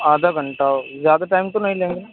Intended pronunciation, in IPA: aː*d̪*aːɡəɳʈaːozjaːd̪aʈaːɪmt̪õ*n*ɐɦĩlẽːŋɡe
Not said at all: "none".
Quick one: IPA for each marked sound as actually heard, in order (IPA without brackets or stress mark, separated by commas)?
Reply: d̪, n